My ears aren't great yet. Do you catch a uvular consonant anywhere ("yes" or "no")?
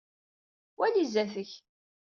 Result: no